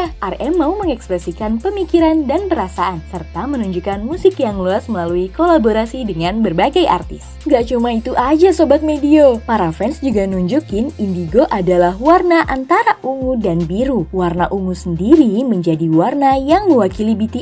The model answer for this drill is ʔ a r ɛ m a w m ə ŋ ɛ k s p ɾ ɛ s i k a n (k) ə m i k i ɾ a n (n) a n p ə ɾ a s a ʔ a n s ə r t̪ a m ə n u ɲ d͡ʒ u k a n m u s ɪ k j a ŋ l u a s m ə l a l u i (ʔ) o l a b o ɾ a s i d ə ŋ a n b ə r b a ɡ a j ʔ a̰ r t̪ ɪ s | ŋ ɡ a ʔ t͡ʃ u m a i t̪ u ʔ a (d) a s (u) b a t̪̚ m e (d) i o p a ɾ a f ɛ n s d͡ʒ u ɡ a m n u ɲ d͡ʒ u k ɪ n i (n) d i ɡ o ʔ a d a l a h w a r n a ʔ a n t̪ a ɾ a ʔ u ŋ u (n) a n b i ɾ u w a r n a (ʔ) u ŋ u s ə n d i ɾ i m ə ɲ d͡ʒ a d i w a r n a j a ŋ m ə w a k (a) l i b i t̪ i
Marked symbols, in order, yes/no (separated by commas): no, no, no, no, no, yes, yes, no, yes, no